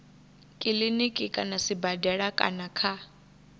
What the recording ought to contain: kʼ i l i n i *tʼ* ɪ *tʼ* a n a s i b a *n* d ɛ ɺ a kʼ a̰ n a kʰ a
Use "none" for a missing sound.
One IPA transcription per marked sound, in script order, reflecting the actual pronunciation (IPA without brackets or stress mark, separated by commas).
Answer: kʼ, kʼ, none